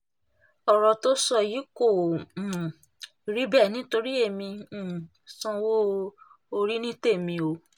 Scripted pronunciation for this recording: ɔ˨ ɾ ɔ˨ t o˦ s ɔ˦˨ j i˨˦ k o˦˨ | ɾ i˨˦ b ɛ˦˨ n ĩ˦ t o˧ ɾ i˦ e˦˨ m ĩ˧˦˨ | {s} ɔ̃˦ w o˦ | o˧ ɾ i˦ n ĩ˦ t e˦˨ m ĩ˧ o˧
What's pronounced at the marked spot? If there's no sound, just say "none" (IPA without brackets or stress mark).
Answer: s